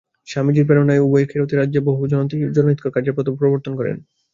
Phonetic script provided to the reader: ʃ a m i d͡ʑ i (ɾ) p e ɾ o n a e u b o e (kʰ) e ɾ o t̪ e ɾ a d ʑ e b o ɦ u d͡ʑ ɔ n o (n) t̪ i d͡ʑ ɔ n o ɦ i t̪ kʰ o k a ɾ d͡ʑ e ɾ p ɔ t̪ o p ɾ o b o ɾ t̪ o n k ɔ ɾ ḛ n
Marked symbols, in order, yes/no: yes, yes, yes

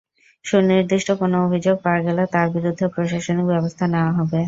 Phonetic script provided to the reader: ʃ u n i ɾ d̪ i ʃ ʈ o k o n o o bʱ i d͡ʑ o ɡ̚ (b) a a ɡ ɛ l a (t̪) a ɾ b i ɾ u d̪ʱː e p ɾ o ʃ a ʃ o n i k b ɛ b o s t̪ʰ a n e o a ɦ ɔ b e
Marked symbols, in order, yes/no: no, yes

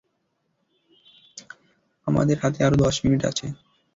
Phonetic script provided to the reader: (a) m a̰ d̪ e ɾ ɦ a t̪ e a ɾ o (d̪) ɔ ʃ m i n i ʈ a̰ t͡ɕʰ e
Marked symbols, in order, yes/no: yes, yes

